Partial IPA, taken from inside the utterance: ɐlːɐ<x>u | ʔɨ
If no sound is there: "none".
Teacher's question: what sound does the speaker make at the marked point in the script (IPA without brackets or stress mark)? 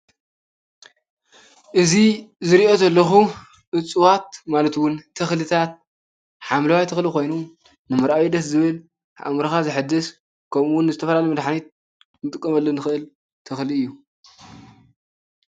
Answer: x